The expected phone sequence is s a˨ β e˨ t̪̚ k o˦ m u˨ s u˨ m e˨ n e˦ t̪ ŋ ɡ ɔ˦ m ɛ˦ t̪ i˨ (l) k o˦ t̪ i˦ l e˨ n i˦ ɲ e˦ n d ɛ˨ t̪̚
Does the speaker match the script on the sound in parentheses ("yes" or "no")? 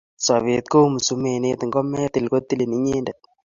yes